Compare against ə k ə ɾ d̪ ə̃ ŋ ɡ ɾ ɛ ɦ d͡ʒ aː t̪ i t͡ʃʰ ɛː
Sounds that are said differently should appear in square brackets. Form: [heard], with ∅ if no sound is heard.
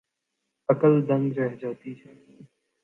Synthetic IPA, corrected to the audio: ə k ə [l] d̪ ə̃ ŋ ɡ ɾ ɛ ɦ d͡ʒ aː t̪ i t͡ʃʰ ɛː